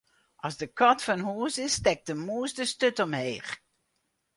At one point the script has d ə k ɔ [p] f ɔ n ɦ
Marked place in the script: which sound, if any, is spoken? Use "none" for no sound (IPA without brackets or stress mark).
t